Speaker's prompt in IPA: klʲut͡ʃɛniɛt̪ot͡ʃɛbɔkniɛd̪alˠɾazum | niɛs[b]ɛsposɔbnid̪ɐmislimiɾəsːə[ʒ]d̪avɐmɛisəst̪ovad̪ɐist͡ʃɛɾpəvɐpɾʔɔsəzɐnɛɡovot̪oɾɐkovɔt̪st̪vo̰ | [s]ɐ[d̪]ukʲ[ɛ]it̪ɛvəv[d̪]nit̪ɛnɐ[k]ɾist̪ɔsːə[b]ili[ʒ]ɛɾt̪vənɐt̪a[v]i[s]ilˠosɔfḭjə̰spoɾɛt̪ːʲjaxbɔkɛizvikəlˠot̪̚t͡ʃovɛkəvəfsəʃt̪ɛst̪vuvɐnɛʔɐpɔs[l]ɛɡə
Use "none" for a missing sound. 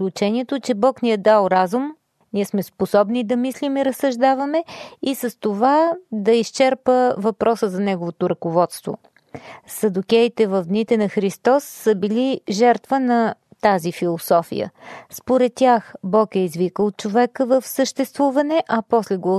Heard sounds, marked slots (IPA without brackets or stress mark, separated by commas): m, ʒ, s, d̪, ɛ, d̪, x, b, ʒ, z, f, l